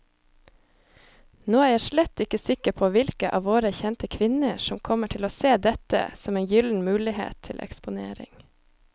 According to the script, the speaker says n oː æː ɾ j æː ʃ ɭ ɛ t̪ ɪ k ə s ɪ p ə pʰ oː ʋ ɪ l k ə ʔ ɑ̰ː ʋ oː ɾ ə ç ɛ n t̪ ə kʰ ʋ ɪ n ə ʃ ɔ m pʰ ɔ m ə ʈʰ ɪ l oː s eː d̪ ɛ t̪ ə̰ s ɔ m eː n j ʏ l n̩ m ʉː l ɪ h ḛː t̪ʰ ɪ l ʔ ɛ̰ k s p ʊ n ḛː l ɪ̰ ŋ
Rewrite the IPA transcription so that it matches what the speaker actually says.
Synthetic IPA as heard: n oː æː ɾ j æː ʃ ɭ ɛ t̪ ɪ k ə s ɪ k ə pʰ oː ʋ ɪ l k ə ʔ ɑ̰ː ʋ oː ɾ ə ç ɛ n t̪ ə kʰ ʋ ɪ n ə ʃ ɔ m kʰ ɔ m ə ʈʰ ɪ l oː s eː d̪ ɛ t̪ ə̰ s ɔ m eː n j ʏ l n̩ m ʉː l ɪ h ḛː t̪ʰ ɪ l ʔ ɛ̰ k s p ʊ n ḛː ɾ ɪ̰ ŋ